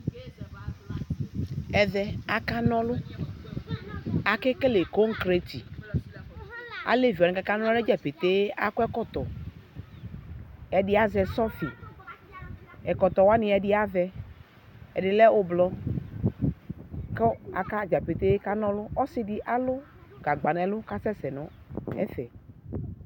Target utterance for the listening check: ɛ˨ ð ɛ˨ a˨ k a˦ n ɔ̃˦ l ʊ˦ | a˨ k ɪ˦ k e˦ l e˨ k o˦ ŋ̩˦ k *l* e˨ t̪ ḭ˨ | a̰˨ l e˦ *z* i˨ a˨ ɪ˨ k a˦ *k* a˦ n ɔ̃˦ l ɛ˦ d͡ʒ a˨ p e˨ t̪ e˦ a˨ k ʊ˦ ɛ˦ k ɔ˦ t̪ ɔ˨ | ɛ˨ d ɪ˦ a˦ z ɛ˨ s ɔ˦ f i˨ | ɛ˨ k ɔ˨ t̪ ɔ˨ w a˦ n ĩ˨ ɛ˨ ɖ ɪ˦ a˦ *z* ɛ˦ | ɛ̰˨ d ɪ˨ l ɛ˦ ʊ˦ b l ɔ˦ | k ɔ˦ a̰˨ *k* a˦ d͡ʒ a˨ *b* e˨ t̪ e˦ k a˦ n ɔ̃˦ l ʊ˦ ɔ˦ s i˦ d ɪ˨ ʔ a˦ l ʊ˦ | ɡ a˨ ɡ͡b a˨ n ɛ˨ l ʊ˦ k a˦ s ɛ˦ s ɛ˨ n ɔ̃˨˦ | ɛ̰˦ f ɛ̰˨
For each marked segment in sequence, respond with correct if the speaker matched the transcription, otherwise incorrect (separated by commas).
incorrect, incorrect, correct, incorrect, correct, incorrect